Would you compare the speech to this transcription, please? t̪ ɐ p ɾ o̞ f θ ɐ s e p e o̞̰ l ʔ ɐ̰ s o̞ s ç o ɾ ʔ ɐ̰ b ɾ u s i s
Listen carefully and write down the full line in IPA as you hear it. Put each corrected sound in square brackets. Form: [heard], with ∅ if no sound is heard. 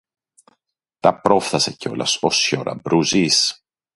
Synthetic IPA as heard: t̪ ɐ p ɾ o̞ f θ ɐ s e [c] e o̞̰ l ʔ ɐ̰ s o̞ s ç o ɾ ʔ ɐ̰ b ɾ u [z] i s